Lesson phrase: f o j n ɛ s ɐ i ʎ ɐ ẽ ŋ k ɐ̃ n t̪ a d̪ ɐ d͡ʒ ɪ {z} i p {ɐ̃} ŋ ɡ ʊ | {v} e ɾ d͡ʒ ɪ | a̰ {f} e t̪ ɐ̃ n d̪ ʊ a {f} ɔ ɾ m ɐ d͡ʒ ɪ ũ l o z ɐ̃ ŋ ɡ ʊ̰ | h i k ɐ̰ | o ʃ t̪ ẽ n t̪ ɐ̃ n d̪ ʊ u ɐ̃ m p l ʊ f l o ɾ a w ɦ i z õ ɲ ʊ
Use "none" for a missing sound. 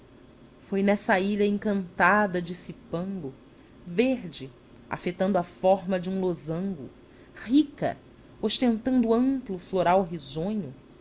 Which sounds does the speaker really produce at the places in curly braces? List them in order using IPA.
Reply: s, ɐ̃, v, f, f

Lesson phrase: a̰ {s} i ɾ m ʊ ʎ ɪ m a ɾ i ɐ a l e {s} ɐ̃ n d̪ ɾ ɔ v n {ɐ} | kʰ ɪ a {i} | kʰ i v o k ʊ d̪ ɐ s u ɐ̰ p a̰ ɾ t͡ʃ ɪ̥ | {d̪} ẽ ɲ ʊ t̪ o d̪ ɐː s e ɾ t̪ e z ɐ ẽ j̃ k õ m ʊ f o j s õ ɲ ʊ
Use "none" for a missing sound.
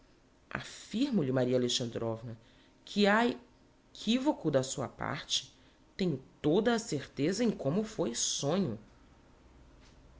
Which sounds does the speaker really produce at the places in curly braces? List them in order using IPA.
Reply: f, ʃ, ɐ, e, t̪

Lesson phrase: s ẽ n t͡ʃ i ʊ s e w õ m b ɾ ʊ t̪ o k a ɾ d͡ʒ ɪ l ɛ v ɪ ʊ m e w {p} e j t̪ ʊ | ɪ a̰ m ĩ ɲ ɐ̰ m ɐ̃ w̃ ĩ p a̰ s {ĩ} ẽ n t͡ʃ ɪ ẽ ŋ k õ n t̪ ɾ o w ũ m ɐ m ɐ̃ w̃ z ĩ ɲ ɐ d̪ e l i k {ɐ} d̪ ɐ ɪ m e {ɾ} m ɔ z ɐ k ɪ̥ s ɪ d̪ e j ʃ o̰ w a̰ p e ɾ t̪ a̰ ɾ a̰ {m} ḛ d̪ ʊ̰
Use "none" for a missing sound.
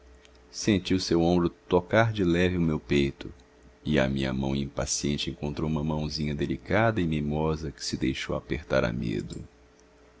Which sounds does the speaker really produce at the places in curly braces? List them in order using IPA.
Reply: p, i, a, none, m

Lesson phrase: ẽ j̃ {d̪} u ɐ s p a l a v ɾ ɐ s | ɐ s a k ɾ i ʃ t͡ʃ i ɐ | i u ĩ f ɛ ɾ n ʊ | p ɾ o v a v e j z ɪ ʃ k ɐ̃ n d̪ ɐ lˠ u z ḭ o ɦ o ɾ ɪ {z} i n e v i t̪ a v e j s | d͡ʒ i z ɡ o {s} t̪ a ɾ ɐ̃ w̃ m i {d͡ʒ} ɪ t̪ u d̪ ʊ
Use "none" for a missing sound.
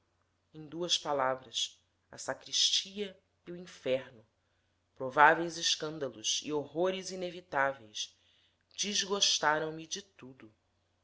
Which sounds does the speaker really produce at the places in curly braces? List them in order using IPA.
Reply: d̪, z, ʃ, d͡ʒ

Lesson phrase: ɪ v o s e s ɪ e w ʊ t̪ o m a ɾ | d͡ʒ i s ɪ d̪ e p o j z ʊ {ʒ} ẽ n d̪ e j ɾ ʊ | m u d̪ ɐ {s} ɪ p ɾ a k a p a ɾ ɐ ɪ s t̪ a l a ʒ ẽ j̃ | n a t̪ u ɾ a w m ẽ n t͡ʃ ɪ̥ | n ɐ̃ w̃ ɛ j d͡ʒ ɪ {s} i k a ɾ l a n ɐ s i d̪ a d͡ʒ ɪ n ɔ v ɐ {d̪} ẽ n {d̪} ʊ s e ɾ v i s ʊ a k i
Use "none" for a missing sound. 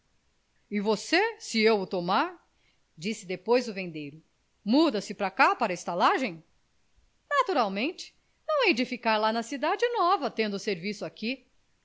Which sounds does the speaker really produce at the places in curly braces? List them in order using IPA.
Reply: v, s, f, t̪, d̪

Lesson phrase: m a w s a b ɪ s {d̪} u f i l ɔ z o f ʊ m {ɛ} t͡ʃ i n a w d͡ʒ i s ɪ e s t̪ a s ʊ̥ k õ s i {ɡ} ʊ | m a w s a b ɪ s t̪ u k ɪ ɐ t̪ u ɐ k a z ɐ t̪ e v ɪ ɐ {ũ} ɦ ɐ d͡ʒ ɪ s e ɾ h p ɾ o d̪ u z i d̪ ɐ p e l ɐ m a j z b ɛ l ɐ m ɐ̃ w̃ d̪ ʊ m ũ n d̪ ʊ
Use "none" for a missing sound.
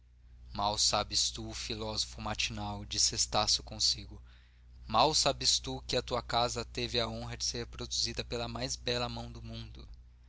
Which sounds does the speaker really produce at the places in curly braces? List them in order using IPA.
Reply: t̪, a, ɡ, õ

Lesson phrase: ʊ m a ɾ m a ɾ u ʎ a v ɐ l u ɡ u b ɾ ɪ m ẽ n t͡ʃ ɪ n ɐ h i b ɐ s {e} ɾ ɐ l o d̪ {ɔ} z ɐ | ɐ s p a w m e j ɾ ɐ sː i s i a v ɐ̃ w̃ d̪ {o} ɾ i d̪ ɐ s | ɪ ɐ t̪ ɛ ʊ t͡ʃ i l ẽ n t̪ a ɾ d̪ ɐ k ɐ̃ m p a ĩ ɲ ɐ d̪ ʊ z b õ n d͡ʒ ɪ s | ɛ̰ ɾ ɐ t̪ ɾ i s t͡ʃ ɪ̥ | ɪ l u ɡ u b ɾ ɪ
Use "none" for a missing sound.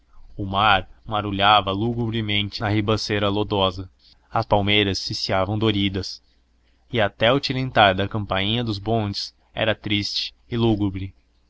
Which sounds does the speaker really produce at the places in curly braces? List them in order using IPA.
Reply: e, ɔ, o

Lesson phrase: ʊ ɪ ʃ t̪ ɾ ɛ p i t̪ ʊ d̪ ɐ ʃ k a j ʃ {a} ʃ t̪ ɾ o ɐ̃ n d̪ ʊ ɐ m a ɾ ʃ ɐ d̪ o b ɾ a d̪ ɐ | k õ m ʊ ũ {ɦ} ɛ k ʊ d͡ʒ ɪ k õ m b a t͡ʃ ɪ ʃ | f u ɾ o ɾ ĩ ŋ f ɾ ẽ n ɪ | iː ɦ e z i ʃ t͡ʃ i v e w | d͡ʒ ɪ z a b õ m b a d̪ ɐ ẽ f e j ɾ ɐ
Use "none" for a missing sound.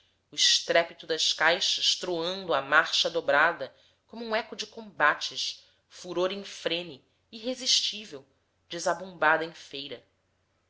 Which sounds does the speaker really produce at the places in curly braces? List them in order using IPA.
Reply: ɐ, none

